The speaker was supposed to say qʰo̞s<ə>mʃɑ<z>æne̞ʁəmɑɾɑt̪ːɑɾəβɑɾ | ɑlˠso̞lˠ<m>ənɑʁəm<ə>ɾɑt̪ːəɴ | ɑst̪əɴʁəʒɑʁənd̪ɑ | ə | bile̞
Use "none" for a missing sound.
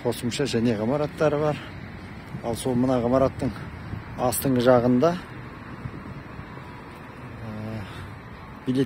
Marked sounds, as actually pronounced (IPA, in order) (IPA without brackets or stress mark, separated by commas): ə, ʒ, m, ɑ